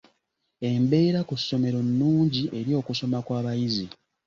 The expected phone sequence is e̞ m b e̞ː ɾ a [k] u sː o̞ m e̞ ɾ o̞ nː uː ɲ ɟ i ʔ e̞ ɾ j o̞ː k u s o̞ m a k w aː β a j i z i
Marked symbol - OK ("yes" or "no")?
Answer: yes